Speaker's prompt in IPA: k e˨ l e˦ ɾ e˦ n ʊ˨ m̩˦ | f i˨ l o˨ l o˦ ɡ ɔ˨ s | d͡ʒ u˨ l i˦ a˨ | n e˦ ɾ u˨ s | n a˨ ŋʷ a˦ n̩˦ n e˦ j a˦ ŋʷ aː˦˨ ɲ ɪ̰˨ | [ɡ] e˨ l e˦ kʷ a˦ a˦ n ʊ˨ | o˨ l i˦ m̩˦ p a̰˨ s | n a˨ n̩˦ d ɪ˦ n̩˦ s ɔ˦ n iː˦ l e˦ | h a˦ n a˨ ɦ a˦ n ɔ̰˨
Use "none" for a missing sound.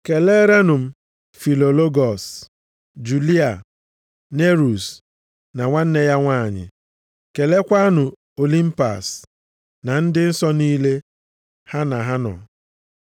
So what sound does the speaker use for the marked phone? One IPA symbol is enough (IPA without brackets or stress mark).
k